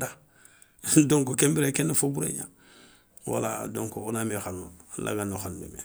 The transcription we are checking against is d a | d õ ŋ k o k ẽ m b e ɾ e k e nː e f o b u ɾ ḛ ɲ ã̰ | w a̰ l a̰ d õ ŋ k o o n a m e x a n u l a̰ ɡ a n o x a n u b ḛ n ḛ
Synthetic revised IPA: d a | d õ ŋ k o k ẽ m b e ɾ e k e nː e f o b u ɾ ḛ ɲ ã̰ | w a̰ l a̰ d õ ŋ k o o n a m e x a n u l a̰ ɡ a n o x a n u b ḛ m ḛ

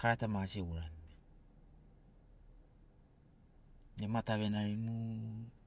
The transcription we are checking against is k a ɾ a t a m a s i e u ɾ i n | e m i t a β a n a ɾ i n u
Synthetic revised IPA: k a ɾ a t a m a s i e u ɾ a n | e m a t a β e n a ɾ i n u

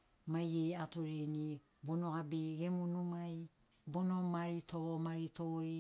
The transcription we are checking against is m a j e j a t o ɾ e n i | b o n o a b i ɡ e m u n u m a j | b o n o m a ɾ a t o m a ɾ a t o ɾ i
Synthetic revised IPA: m a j e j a t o ɾ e n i | b o n o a b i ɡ e m u n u m a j | b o n o m a ɾ i t o m a ɾ i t o ɾ i

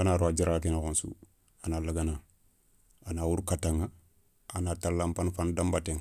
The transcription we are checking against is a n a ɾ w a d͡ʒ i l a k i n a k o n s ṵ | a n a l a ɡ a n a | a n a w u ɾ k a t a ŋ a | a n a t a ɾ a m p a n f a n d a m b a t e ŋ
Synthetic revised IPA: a n a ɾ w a d͡ʒ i ɾ a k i n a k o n s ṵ | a n a l a ɡ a n a | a n a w u ɾ k a t a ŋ a | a n a t a l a m p a n f a n d a m b a t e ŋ

